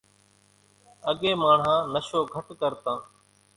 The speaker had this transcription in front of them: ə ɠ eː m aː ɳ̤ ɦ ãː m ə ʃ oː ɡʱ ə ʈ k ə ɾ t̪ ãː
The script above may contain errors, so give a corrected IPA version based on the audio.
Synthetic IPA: ə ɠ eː m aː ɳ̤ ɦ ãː n ə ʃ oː ɡʱ ə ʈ k ə ɾ t̪ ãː

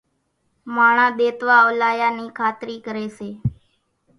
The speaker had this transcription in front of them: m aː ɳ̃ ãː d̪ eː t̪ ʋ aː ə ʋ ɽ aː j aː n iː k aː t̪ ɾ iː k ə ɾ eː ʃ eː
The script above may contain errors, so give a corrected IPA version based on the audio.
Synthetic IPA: m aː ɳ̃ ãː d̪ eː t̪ ʋ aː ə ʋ l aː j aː n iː kʰ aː t̪ ɾ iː k ə ɾ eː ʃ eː

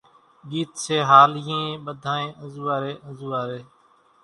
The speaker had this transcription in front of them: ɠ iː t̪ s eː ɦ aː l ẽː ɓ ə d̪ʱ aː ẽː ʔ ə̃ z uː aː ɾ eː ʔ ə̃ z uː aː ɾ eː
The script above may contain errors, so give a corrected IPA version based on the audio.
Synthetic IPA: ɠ iː t̪ s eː ɦ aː l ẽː ɓ ə d̪ʱ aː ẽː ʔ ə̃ z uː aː ɾ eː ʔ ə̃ z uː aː ɾ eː

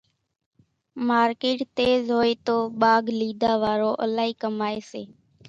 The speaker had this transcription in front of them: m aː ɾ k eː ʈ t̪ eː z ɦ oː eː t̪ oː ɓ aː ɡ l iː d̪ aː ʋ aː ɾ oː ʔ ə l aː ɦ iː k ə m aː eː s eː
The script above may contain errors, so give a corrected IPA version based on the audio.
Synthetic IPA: m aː ɾ k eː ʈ t̪ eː z ɦ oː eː t̪ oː ɓ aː ɡ l iː d̪ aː ʋ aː ɾ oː ʔ ə l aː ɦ iː k ə m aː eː s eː

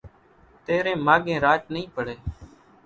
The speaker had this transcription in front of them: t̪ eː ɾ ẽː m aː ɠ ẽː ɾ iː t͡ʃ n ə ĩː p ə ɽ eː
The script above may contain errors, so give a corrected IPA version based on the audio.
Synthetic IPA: t̪ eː ɾ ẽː m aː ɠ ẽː ɾ aː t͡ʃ n ə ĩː p ə ɽ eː

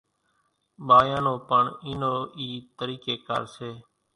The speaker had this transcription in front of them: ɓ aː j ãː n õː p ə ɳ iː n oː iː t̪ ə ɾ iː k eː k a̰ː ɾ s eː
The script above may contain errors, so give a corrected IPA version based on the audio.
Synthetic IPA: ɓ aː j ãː n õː p ə ɳ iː n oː iː t̪ ə ɾ iː k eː k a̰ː ɾ s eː

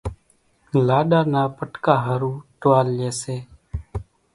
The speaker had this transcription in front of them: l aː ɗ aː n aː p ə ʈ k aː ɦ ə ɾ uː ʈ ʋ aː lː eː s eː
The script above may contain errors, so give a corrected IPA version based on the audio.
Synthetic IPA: l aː ɗ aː n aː p ə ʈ k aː ɦ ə ɾ uː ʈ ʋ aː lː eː s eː

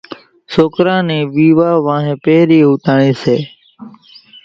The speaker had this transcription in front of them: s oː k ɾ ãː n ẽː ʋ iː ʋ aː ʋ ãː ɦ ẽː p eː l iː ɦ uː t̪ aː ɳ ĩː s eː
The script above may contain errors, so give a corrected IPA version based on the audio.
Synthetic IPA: s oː k ɾ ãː n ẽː ʋ iː ʋ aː ʋ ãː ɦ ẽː p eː ɾ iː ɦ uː t̪ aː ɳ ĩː s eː

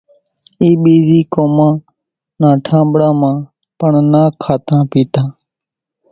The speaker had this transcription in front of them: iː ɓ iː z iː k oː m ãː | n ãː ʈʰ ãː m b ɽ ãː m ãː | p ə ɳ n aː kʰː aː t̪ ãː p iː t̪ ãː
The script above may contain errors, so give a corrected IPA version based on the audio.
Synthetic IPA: iː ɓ iː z iː k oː m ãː | n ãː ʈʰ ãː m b ɽ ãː m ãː | p ə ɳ n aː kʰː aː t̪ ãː p iː t̪ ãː

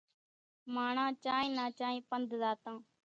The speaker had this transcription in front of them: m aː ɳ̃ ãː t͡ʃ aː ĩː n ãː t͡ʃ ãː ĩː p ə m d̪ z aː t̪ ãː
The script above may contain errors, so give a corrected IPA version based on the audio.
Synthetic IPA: m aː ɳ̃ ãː t͡ʃ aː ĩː n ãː t͡ʃ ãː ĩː p ə n d̪ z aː t̪ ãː

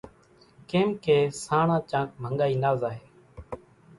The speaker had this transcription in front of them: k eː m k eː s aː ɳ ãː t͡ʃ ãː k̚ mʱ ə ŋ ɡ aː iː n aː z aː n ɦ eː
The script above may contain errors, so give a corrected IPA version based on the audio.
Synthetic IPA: k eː m k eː s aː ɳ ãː t͡ʃ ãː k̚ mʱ ə ŋ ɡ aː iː n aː z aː ɦ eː

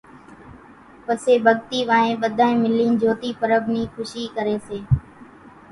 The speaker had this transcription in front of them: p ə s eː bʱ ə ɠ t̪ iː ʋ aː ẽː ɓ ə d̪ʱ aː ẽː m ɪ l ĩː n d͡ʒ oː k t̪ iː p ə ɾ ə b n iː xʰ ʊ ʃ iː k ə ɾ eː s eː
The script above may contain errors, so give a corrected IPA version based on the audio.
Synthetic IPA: p ə s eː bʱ ə ɠ t̪ iː ʋ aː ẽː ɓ ə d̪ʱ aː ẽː m ɪ l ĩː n d͡ʒ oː t̪ iː p ə ɾ ə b n iː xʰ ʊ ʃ iː k ə ɾ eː s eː

